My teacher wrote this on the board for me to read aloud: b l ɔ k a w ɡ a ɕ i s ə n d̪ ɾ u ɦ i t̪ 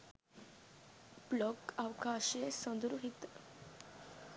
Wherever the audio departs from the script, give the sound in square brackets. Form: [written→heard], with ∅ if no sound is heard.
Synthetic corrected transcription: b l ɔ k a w [ɡ→k] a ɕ [i→e] s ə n d̪ ɾ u ɦ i t̪

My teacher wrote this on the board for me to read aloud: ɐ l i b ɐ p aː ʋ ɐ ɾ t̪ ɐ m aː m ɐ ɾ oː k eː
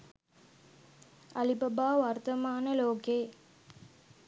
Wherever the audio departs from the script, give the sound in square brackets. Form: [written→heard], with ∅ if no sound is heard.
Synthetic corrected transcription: ɐ l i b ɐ [p→b] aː ʋ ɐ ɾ t̪ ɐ m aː [m→n] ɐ [ɾ→l] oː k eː

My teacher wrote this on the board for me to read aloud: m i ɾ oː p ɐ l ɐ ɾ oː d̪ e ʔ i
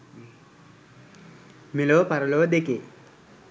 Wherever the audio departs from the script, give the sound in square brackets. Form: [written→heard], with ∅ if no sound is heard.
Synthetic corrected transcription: m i [ɾ→l] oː p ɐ [l→ɾ] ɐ [ɾ→l] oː d̪ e [ʔ→k] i

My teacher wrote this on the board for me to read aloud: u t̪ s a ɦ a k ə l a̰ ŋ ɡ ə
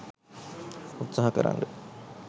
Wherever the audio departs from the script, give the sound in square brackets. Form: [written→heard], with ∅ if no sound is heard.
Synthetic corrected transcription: u t̪ s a ɦ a k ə [l→ɾ] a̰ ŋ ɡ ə

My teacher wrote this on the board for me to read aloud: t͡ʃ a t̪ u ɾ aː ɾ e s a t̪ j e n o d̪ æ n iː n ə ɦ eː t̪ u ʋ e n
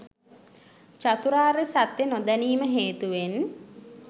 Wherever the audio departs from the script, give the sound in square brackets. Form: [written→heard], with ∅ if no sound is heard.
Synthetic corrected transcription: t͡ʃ a t̪ u ɾ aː ɾ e s a t̪ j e n o d̪ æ n iː [n→m] ə ɦ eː t̪ u ʋ e n

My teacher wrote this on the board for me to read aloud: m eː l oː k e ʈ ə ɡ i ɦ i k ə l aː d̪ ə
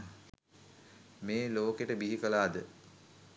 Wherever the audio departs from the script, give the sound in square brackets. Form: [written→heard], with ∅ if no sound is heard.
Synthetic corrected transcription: m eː l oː k e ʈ ə [ɡ→b] i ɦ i k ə l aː d̪ ə

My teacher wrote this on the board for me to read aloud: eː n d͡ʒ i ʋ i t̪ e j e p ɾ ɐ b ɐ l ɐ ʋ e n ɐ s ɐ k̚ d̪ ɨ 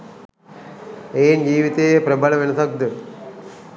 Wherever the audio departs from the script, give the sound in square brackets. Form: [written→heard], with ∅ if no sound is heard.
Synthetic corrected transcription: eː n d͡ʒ [i→iː] ʋ i t̪ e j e p ɾ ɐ b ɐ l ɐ ʋ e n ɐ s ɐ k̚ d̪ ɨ

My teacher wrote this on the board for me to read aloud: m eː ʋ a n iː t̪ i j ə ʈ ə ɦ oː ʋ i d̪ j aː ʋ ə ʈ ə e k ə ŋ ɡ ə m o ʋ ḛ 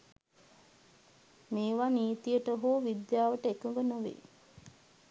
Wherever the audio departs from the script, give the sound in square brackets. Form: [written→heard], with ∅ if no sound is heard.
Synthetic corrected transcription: m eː ʋ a n iː t̪ i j ə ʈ ə ɦ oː ʋ i d̪ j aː ʋ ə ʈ ə e k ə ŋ ɡ ə [m→n] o ʋ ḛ

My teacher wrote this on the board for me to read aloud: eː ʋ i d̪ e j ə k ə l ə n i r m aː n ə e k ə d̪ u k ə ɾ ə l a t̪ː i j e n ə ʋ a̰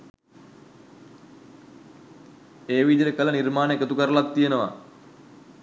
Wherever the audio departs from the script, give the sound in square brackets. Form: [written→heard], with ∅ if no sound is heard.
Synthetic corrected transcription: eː ʋ i d̪ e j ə k ə l ə n i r m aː n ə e k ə [d̪→t̪] u k ə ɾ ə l a t̪ː i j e n ə ʋ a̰

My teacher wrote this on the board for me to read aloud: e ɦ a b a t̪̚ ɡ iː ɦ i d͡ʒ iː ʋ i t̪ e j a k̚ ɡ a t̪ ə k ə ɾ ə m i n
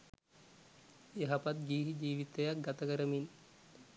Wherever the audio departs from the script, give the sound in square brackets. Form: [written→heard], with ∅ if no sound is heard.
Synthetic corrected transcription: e ɦ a [b→p] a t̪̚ ɡ iː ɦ i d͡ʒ iː ʋ i t̪ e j a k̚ ɡ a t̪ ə k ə ɾ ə m i n

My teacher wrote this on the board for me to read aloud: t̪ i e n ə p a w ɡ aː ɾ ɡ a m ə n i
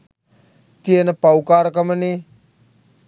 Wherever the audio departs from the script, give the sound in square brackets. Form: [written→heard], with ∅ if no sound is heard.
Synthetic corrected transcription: t̪ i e n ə p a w [ɡ→k] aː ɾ [ɡ→k] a m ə n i

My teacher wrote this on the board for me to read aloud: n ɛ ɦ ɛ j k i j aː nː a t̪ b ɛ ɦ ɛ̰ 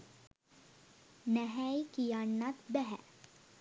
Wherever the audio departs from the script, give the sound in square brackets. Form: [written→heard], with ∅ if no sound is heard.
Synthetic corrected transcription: n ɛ ɦ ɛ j k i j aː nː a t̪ b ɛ ɦ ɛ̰

